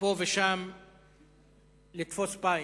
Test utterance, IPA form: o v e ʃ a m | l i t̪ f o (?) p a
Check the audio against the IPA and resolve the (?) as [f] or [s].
s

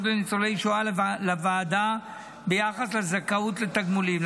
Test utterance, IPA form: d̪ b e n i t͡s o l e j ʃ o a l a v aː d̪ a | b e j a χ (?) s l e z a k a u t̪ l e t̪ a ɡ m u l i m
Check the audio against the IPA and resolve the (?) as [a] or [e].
a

